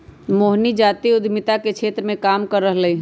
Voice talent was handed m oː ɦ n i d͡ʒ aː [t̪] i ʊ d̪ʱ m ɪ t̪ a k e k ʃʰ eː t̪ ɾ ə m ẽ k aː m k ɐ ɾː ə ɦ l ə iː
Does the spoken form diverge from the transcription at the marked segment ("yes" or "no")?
no